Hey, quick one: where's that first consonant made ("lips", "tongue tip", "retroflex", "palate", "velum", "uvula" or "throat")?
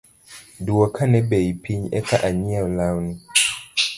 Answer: tongue tip